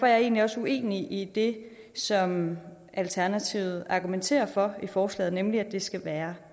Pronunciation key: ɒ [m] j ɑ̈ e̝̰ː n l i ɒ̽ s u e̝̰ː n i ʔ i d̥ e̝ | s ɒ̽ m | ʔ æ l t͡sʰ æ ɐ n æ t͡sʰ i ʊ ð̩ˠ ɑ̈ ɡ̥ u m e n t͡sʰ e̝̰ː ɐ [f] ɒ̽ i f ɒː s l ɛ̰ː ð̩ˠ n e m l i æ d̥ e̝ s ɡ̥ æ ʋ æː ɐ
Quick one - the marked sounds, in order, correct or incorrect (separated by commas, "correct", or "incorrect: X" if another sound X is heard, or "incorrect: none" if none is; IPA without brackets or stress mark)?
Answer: incorrect: none, correct